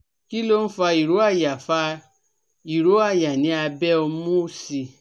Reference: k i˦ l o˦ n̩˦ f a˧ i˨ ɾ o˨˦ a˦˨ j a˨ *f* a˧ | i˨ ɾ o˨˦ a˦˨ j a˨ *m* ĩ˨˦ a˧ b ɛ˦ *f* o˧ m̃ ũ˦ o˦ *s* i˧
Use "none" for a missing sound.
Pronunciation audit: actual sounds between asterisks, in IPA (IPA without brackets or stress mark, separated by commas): f, n, none, s